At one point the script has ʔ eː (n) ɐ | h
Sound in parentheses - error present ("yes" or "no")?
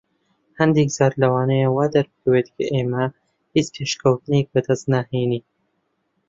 yes